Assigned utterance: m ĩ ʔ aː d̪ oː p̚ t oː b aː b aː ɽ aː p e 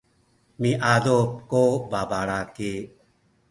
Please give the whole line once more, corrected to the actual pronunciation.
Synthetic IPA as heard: m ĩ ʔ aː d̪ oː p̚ k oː b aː b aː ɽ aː k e